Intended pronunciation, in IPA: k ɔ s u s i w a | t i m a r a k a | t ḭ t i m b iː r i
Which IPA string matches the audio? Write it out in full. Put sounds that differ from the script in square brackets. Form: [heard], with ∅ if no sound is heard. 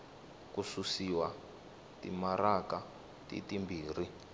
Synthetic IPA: k [u] s u s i w a | t i m a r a k a | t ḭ t i m b iː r i